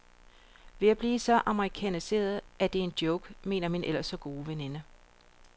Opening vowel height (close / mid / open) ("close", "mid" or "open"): mid